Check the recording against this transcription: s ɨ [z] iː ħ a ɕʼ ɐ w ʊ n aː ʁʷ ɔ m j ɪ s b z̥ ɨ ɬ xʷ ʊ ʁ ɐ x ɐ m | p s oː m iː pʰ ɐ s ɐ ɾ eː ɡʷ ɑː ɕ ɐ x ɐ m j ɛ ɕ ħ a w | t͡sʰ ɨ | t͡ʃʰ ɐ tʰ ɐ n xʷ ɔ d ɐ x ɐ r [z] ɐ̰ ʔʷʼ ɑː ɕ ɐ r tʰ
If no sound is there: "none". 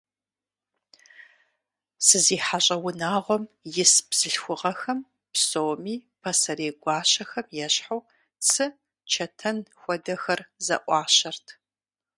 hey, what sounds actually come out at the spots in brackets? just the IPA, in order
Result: z, z

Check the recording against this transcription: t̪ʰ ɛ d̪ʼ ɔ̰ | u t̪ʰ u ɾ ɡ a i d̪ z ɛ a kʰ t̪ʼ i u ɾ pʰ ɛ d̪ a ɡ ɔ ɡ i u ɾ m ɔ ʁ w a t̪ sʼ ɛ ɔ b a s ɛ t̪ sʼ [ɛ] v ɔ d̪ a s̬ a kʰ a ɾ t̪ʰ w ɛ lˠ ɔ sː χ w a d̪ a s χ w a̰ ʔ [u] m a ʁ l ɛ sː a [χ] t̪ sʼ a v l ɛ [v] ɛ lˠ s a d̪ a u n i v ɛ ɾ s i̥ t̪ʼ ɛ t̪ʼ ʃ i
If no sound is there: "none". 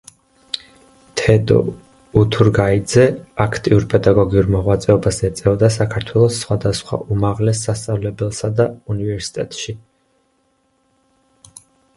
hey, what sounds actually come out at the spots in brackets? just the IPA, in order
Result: ɛ, u, s, b

